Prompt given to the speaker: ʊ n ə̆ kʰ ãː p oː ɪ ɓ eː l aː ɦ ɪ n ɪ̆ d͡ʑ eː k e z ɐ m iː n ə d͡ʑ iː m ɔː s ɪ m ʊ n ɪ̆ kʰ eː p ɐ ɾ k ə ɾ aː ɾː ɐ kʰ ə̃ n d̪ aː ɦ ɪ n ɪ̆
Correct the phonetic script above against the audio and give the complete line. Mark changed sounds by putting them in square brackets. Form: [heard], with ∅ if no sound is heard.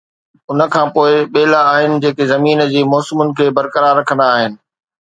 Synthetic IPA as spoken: ʊ n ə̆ kʰ ãː p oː ɪ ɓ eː l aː ɦ ɪ n ɪ̆ d͡ʑ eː k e z ɐ m iː n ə d͡ʑ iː m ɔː s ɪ m ʊ n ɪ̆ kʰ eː [b] ɐ ɾ k ə ɾ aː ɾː ɐ kʰ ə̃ n d̪ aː ɦ ɪ n ɪ̆